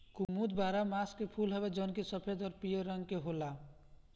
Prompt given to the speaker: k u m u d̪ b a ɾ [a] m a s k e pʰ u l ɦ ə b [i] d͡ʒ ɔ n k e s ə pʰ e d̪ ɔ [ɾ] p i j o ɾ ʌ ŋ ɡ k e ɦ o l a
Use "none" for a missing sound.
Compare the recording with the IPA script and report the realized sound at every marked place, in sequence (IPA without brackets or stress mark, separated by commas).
a, e, ɾ